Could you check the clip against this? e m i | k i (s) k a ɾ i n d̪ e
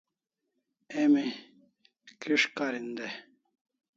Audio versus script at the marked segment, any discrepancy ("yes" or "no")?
yes